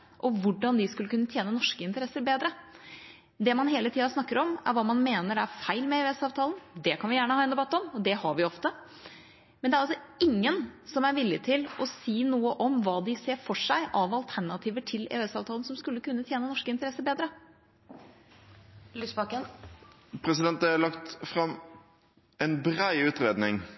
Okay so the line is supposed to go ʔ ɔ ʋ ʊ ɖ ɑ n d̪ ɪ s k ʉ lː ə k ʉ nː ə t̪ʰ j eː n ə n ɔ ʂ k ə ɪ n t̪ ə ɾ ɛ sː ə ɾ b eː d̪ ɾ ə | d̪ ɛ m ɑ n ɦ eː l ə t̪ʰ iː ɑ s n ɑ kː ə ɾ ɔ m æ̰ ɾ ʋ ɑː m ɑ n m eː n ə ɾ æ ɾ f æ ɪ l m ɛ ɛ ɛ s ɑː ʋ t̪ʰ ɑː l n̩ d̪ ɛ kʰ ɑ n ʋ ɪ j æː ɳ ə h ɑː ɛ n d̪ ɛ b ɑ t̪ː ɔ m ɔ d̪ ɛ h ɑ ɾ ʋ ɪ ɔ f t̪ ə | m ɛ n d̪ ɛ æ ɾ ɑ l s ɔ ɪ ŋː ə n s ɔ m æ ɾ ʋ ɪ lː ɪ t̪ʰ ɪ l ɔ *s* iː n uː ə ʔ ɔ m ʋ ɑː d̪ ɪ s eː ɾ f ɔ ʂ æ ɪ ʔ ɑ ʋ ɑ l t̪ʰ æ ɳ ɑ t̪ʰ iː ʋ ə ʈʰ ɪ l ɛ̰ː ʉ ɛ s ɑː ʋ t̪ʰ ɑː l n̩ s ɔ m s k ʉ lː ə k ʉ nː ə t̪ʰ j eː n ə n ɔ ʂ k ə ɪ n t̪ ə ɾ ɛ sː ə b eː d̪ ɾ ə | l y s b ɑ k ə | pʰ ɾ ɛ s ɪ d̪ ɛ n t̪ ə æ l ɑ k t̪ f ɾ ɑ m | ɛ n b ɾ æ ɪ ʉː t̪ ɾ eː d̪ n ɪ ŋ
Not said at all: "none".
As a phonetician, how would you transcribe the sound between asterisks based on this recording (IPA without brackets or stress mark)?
s